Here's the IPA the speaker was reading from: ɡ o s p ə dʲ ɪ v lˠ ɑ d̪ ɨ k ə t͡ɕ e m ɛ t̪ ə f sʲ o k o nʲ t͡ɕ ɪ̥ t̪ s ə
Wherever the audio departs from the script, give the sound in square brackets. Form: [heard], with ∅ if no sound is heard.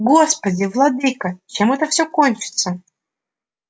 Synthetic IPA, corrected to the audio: ɡ o s p ə dʲ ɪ v lˠ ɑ d̪ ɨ k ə t͡ɕ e m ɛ t̪ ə f sʲ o k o nʲ t͡ɕ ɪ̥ t̪ s ə